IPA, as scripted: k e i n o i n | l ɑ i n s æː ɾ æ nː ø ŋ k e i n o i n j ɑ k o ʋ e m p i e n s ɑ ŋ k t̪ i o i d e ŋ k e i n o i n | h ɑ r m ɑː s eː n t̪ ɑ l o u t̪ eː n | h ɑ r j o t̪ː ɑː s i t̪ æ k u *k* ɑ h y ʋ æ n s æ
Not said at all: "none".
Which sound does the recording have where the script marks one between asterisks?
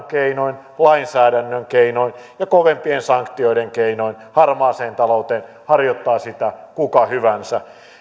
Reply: k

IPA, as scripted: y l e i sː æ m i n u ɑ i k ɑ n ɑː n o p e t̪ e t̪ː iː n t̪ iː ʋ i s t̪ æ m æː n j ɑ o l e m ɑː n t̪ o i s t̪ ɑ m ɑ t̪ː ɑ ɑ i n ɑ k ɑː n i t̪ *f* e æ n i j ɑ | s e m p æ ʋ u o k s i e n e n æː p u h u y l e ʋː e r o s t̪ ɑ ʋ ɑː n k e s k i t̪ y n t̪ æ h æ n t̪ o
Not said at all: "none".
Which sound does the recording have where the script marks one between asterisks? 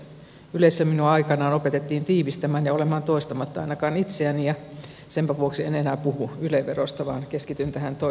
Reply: s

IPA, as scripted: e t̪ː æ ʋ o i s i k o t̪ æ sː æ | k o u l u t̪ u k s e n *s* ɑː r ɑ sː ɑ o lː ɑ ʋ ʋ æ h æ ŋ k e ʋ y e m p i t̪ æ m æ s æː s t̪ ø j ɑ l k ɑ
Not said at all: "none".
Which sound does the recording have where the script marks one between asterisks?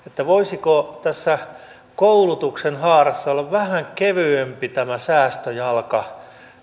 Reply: h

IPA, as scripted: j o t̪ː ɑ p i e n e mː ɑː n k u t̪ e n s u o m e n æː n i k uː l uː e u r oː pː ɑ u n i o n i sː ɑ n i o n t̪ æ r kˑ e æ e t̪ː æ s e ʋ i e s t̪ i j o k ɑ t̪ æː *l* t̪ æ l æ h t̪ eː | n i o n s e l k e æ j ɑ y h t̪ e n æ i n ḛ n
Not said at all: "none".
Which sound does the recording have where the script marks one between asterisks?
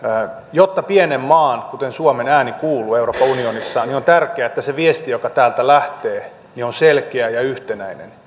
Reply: l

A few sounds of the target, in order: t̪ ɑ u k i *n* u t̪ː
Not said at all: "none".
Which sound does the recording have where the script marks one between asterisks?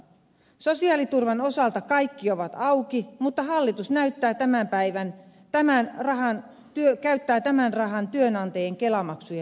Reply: m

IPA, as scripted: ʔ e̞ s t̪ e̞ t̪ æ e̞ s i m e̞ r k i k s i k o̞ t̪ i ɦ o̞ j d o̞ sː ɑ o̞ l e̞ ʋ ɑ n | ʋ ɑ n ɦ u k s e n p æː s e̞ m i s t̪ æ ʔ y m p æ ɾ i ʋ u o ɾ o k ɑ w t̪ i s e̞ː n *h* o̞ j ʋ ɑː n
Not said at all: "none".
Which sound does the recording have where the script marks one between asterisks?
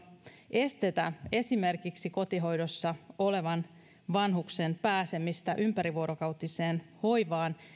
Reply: h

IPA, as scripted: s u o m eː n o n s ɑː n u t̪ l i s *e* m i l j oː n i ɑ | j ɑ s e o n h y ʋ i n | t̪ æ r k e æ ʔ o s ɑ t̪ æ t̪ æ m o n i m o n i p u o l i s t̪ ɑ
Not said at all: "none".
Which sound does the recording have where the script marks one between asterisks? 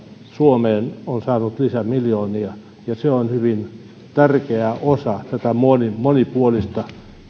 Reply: æ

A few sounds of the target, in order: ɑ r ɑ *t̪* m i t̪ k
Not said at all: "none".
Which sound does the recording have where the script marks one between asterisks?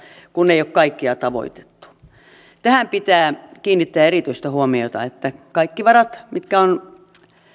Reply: t̪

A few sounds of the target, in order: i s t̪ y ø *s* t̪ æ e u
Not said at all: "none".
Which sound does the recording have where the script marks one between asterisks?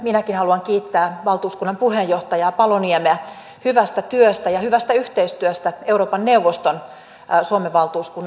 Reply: s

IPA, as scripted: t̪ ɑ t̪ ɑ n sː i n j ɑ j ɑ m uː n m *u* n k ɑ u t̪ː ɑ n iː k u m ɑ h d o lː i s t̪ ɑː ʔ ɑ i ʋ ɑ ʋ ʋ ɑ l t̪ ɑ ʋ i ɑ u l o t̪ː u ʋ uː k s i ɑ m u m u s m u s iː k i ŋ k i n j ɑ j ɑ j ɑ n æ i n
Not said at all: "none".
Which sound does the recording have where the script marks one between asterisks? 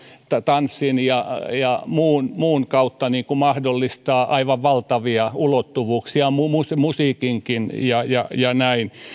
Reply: uː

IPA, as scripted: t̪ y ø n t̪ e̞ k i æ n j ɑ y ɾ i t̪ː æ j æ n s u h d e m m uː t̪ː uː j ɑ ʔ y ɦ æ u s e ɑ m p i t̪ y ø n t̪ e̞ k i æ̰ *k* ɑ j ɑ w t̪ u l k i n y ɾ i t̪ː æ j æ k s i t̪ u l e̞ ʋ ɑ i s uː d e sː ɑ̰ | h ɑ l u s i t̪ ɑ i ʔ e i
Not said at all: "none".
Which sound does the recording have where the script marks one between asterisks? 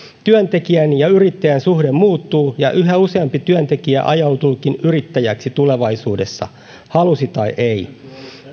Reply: ʔ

